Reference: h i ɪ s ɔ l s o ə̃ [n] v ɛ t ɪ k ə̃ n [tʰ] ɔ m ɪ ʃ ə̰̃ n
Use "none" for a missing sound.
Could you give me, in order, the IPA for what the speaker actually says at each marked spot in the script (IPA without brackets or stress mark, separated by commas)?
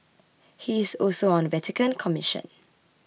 n, kʰ